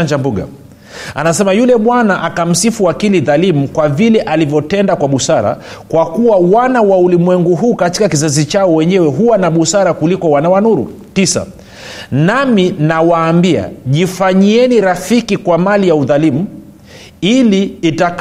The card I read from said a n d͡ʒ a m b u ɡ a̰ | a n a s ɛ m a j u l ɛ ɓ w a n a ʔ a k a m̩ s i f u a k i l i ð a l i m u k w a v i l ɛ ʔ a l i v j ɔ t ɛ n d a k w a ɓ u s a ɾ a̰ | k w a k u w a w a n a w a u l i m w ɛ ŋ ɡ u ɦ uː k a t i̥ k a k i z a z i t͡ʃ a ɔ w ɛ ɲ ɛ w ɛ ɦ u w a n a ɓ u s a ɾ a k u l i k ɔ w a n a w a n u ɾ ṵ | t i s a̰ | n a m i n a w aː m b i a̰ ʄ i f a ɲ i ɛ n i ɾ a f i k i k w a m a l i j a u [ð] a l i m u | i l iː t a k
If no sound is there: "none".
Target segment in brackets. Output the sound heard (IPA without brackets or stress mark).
ð